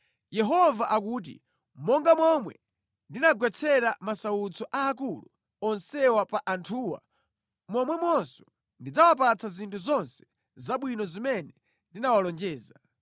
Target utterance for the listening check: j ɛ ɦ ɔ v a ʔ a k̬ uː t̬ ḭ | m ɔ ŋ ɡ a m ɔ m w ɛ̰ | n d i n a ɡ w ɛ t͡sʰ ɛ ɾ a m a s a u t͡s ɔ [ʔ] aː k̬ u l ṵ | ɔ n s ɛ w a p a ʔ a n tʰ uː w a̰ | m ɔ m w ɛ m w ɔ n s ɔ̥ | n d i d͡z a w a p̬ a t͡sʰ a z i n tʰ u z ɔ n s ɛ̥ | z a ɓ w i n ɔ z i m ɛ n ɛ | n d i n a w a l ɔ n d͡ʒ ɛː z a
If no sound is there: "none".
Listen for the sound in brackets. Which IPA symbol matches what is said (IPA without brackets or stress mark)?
ʔ